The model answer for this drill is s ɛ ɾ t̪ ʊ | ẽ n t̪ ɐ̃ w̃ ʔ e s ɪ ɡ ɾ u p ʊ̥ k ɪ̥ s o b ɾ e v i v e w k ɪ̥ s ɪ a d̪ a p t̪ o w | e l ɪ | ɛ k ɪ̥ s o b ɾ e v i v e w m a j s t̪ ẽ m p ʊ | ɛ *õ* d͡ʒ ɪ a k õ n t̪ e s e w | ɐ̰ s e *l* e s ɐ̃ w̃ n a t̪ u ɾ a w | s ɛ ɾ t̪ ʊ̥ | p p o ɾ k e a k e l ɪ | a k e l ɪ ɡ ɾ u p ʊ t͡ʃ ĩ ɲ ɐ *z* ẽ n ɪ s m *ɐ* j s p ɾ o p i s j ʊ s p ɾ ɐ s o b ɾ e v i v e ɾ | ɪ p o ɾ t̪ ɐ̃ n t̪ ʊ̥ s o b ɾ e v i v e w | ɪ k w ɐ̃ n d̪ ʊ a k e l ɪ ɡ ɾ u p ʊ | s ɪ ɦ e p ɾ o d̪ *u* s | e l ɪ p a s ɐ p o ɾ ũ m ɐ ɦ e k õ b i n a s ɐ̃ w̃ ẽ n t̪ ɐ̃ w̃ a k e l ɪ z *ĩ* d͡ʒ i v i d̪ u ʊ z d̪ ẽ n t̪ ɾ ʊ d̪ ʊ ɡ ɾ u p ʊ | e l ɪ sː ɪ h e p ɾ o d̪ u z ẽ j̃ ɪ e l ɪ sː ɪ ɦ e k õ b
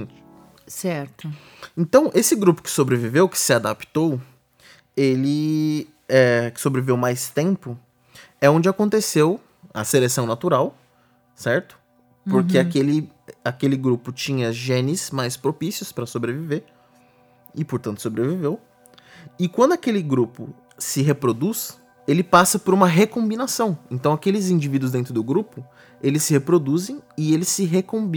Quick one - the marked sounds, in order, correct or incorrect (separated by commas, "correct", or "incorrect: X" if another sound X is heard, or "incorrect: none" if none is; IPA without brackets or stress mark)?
correct, correct, incorrect: ʒ, incorrect: a, correct, correct